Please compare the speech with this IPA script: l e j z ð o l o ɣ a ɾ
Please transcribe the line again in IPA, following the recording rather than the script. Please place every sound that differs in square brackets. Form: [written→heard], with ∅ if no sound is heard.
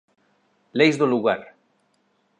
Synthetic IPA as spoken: l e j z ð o l [o→u] ɣ a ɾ